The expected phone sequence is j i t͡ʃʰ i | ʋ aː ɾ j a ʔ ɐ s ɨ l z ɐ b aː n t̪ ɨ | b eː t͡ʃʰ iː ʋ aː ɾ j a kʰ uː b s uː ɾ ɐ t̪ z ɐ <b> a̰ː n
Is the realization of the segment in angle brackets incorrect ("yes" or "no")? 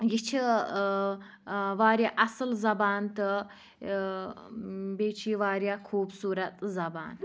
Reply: no